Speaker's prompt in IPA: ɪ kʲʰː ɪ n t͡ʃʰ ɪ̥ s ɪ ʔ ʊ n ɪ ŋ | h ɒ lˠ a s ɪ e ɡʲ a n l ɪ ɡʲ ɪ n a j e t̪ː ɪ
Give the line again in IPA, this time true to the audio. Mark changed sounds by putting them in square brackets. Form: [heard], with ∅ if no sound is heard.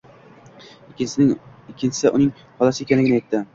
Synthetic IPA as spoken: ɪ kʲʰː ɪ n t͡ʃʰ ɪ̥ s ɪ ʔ ʊ n ɪ ŋ | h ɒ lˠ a s ɪ e [kʲ] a n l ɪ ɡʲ ɪ n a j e t̪ː ɪ